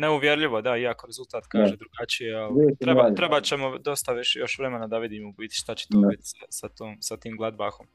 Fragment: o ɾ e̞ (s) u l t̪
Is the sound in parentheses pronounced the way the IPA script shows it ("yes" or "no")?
no